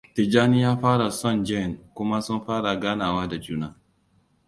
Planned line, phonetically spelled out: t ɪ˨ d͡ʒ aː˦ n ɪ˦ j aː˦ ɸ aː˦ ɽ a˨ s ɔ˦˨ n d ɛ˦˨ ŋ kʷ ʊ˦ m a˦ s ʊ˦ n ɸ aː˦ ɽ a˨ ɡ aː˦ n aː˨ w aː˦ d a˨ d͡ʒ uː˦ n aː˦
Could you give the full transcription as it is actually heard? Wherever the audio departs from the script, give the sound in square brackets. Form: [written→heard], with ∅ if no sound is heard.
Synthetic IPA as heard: t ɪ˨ d͡ʒ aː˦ n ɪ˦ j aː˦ ɸ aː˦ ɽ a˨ s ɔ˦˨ n [d→d͡ʒ] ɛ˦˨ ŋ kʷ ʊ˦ m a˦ s ʊ˦ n ɸ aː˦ ɽ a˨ ɡ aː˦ n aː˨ w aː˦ d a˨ d͡ʒ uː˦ n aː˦